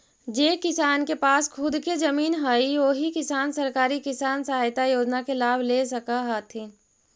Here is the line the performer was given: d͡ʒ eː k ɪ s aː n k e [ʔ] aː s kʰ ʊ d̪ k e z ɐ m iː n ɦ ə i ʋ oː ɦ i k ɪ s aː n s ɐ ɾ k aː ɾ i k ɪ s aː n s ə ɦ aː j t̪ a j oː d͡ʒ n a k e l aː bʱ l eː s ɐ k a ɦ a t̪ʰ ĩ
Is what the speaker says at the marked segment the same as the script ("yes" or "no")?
no